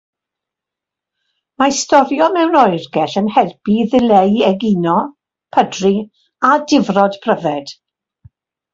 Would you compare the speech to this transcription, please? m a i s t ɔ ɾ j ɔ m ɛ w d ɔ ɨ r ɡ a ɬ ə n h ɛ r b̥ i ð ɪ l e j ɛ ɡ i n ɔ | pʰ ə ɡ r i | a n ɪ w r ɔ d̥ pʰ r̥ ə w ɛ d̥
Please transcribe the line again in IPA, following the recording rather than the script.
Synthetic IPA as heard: m a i s t ɔ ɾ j ɔ m ɛ w n ɔ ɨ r ɡ ɛ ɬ ə n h ɛ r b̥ i ð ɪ l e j ɛ ɡ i n ɔ | pʰ ə d r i | a d ɪ v r ɔ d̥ pʰ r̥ ə v ɛ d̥